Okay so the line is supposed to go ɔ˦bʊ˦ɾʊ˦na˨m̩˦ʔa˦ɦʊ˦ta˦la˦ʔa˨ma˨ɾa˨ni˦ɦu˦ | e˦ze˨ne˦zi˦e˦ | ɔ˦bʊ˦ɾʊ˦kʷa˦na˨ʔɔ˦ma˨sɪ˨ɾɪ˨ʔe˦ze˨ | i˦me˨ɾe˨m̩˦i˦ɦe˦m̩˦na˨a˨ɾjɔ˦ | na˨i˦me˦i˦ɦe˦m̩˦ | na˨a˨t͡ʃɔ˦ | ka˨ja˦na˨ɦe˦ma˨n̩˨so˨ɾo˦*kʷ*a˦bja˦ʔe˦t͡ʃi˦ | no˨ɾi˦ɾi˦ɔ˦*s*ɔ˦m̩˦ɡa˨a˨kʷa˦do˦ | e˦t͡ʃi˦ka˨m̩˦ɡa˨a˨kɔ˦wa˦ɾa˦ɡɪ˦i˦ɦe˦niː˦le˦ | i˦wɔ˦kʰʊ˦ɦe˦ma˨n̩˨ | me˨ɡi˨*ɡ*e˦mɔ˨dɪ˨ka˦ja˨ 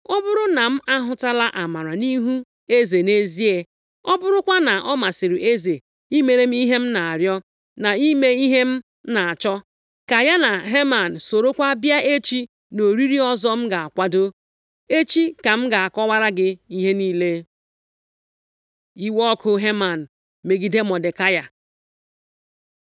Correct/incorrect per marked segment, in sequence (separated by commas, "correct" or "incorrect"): correct, incorrect, incorrect